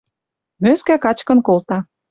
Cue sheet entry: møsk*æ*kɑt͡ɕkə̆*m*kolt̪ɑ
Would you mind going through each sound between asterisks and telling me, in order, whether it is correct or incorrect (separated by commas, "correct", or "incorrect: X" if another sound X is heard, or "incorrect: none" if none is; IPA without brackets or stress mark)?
correct, incorrect: n